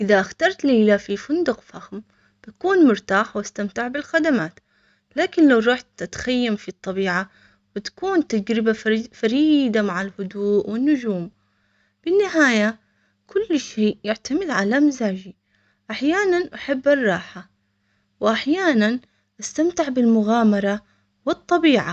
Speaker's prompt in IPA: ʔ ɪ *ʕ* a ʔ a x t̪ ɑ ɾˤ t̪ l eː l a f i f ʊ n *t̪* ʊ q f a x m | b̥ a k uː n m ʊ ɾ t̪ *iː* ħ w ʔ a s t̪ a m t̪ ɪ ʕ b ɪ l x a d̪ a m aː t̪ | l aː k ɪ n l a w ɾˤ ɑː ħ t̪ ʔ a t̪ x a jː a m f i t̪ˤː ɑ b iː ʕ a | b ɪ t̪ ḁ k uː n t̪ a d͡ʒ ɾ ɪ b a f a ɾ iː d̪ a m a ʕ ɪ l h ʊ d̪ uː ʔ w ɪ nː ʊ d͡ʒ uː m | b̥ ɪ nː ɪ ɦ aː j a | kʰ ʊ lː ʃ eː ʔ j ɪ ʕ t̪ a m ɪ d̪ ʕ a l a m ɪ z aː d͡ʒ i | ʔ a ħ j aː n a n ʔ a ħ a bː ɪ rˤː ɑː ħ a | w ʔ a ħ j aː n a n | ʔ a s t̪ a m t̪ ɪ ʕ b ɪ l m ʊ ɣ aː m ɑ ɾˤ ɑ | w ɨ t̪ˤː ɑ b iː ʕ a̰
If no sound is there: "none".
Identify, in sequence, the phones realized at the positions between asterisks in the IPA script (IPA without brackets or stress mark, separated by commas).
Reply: ð, d̪, aː